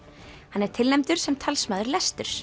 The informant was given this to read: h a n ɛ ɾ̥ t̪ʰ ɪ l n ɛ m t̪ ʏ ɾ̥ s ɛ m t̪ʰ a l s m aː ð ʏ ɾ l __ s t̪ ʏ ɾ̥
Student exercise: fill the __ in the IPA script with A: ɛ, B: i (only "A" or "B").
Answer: A